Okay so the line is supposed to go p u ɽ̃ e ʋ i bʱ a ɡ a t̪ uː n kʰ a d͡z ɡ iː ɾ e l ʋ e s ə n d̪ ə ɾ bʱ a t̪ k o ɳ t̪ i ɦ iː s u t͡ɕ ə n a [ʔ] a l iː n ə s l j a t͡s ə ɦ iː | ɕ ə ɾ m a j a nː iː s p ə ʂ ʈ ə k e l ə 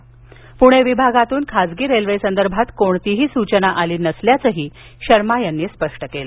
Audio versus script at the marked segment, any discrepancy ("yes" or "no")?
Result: no